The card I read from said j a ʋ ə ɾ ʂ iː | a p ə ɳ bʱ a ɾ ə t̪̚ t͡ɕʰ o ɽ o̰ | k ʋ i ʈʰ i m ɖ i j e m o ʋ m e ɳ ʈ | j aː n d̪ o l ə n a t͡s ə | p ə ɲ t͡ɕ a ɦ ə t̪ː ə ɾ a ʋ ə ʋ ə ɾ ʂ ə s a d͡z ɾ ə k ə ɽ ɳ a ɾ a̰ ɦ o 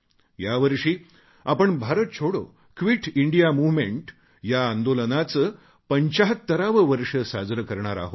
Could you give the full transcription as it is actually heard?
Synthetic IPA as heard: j a ʋ ə ɾ ʂ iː | a p ə ɳ bʱ a ɾ ə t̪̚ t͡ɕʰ o ɽ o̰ | k ʋ i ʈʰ i ɳ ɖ i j a m u ʋ m e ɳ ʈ | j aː n d̪ o l ə n a t͡s ə | p ə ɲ t͡ɕ a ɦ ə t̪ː ə ɾ a ʋ ə ʋ ə ɾ ʂ ə s a d͡z ɾ ə k ə ɾ ɳ a ɾ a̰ ɦ o